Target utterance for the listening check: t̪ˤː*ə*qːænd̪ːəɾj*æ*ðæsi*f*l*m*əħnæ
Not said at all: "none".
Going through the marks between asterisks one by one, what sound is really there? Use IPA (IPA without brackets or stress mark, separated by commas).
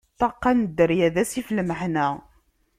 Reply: ɑ, æ, f, m